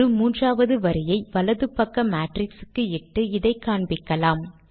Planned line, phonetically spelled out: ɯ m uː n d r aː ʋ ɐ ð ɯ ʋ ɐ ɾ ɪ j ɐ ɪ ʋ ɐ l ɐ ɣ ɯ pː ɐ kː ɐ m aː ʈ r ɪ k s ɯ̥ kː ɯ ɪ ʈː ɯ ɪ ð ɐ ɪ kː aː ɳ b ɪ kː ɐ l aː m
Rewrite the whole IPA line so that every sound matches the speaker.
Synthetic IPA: ɯ m uː n d r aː ʋ ɐ ð ɯ ʋ ɐ ɾ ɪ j ɐ ɪ ʋ ɐ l ɐ ð ɯ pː ɐ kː ɐ m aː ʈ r ɪ k s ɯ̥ kː ɯ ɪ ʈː ɯ ɪ ð ɐ ɪ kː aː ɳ b ɪ kː ɐ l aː m